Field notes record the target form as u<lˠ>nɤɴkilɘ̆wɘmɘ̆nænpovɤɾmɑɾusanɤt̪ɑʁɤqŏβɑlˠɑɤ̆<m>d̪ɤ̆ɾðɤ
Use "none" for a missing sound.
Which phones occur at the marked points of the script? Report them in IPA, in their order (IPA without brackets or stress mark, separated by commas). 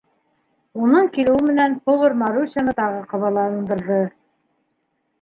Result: none, n